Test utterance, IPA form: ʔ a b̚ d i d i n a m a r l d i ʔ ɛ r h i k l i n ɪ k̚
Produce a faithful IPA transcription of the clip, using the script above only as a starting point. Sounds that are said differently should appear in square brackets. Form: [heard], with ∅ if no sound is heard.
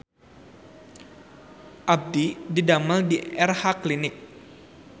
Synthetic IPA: ʔ a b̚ d i d i [d] a m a [∅] l d i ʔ ɛ r h [a] k l i n ɪ k̚